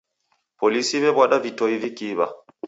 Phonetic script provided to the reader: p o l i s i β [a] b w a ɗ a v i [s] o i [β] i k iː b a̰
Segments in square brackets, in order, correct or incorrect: incorrect, incorrect, incorrect

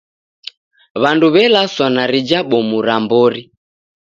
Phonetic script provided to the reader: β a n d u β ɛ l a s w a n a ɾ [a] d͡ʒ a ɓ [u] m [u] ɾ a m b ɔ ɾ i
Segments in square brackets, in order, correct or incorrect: incorrect, incorrect, correct

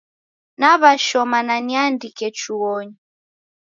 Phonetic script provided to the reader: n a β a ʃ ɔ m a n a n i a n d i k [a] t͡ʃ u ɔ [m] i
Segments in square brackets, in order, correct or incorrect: incorrect, incorrect

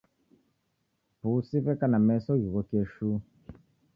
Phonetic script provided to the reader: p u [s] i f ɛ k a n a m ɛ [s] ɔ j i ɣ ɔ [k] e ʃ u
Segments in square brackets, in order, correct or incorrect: correct, correct, correct

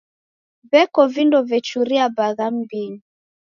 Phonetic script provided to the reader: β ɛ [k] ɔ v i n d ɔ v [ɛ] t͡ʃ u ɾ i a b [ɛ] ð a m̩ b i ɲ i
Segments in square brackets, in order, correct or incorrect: correct, correct, incorrect

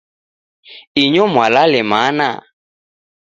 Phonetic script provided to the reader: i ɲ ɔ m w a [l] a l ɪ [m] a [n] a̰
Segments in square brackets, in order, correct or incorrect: correct, correct, correct

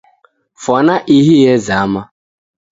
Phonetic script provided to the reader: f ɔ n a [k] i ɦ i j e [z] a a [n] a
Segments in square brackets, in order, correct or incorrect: incorrect, correct, incorrect

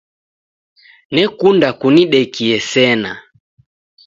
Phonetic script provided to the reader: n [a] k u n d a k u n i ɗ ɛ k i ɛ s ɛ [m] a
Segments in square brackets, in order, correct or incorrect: incorrect, incorrect

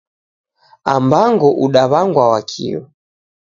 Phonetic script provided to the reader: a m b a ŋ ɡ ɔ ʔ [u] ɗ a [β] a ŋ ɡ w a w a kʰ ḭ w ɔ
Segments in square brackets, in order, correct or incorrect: correct, correct

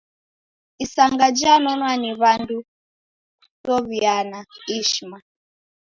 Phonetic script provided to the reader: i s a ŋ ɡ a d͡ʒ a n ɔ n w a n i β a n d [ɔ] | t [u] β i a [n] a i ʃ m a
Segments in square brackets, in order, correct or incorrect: incorrect, incorrect, correct

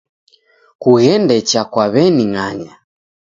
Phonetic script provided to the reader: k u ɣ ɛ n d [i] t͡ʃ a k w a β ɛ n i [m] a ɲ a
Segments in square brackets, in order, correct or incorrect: incorrect, incorrect

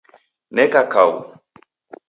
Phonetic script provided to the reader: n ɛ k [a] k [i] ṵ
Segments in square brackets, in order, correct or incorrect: correct, incorrect

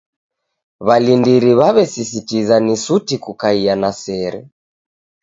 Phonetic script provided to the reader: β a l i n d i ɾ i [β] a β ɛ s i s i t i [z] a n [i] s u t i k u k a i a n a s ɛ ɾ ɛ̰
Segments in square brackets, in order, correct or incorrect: correct, correct, correct

